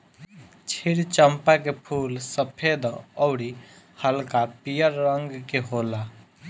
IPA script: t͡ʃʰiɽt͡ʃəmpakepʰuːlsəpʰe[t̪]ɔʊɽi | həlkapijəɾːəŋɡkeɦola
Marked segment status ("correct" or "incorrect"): incorrect